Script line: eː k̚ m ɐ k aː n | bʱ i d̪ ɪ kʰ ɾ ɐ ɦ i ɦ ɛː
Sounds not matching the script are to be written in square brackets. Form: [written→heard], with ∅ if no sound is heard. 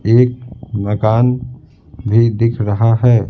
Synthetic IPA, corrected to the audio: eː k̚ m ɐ k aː n | bʱ i d̪ ɪ kʰ ɾ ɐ ɦ [i→a] ɦ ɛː